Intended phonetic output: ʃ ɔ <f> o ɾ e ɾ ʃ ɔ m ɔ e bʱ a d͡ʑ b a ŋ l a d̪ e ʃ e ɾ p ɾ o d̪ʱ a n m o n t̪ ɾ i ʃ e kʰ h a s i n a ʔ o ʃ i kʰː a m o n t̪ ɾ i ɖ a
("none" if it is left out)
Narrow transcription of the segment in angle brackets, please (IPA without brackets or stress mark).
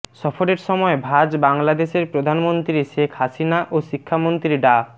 f